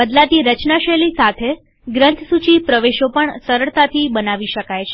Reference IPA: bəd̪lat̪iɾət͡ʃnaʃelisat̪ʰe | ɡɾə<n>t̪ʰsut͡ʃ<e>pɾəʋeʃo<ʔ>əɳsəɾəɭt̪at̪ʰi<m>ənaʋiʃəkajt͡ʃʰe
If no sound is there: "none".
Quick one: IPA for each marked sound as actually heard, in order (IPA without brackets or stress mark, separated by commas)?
n, i, p, b